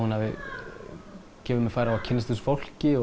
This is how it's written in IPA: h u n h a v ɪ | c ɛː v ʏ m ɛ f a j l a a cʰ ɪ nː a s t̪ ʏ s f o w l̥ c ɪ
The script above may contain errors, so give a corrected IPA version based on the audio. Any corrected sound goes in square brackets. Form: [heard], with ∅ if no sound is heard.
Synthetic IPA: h u n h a v ɪ | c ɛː v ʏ m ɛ f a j [ɾ] a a cʰ ɪ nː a s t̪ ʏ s f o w l̥ c ɪ